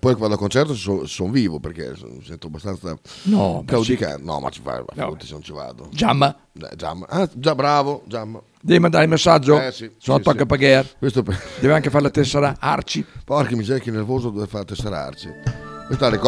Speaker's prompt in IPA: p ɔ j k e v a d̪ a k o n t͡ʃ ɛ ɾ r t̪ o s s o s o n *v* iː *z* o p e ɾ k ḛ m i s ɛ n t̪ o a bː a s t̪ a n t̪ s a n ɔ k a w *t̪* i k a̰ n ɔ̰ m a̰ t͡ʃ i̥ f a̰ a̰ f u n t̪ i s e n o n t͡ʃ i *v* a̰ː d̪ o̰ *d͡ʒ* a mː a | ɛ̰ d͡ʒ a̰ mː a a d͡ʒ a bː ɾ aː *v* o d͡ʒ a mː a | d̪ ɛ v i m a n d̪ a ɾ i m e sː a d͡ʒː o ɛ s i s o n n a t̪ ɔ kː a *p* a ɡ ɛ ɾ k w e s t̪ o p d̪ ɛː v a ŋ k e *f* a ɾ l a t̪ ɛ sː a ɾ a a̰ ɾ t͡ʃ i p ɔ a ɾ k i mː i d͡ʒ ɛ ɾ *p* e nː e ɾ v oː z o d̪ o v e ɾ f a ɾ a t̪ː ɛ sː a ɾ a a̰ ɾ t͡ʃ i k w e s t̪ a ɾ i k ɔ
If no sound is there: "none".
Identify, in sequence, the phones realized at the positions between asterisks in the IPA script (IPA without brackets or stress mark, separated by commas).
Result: v, v, d̪, v, d͡ʒ, v, p, f, k